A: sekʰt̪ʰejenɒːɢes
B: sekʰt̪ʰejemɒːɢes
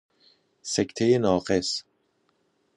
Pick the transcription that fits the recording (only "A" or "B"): A